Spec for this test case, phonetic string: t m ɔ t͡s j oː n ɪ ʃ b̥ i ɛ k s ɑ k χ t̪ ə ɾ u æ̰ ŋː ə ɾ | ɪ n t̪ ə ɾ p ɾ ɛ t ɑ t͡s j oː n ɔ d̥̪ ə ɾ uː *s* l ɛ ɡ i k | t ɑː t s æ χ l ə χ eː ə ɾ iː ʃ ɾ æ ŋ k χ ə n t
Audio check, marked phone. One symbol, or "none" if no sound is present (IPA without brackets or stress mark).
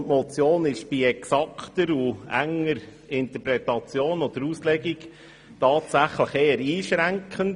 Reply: s